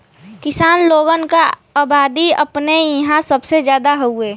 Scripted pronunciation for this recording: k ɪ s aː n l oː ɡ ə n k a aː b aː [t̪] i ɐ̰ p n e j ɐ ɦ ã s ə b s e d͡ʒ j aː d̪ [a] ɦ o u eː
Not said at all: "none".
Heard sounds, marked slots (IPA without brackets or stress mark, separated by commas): d̪, a